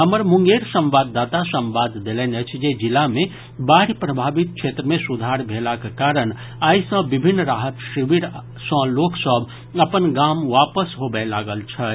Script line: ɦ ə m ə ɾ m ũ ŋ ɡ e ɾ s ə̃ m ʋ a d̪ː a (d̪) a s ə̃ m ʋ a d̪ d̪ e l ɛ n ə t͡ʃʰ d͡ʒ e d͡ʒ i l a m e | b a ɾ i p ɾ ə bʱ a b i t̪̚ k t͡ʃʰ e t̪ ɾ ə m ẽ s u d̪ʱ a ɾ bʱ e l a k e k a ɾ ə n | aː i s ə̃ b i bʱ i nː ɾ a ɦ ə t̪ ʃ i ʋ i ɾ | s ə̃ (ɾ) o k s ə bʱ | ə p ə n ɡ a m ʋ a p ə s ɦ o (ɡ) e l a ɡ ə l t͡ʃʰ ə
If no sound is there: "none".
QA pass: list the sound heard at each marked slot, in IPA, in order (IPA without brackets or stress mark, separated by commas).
t̪, l, b